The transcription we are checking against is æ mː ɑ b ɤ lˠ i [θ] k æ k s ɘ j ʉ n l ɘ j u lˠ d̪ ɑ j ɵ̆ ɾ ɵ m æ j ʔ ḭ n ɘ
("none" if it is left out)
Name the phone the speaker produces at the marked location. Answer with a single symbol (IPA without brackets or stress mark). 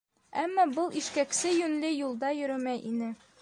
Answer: ʃ